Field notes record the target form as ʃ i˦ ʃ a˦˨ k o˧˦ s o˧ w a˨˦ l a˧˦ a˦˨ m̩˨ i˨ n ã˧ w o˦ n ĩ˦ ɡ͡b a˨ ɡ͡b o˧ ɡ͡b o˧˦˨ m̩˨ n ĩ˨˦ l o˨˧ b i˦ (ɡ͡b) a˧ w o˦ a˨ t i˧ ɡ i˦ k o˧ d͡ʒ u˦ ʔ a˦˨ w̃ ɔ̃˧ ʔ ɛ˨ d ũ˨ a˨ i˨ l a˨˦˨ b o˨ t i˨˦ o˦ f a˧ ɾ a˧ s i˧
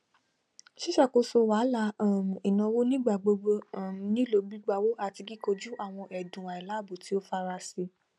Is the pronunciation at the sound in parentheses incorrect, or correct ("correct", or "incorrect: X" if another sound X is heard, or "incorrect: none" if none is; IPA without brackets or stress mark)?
correct